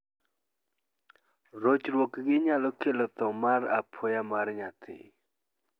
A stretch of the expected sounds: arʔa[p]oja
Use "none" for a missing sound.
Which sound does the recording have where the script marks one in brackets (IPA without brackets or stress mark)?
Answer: pʰ